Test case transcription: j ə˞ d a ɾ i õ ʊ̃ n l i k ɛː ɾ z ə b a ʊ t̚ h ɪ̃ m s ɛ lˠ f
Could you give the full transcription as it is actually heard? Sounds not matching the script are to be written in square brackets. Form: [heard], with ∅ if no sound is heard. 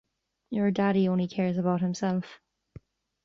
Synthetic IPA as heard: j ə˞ d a ɾ i õ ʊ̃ n l i [kʰ] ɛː [ɹ] z ə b a ʊ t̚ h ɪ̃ m s ɛ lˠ f